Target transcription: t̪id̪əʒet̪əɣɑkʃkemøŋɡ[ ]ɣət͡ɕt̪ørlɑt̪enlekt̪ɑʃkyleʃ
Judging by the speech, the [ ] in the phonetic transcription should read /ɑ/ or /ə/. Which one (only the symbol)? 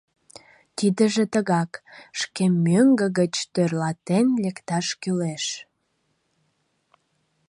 ə